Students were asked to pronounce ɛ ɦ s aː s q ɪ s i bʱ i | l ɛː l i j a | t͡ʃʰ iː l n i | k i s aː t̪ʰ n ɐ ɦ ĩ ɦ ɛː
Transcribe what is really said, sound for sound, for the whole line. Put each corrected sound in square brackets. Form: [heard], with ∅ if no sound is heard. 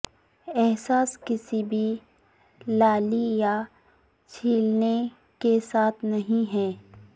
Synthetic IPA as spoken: ɛ ɦ s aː s [k] ɪ s i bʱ i | l [aː] l i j a | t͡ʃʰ iː l n [e] | k [e] s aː t̪ʰ n ɐ ɦ ĩ ɦ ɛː